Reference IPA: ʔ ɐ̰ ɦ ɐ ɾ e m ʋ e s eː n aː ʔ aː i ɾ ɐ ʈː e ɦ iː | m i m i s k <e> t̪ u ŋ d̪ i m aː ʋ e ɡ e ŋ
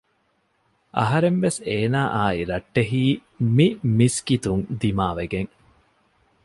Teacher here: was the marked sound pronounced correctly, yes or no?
no